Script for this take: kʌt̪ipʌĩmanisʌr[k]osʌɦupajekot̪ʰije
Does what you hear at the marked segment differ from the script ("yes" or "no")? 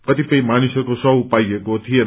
no